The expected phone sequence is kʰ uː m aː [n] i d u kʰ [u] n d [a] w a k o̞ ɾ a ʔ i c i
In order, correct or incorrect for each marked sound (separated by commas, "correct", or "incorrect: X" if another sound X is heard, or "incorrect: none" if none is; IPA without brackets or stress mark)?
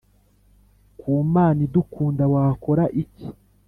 correct, incorrect: uː, correct